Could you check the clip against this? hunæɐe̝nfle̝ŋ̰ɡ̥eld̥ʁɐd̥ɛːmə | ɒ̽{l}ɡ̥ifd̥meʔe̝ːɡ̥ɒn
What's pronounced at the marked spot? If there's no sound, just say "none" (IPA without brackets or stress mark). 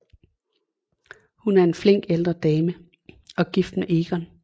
none